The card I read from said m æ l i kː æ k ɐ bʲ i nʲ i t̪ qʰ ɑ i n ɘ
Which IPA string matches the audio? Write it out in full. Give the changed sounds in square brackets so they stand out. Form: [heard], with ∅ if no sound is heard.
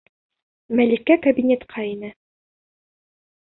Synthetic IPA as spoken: m æ l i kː æ k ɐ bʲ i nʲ [e] t̪ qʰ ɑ i n ɘ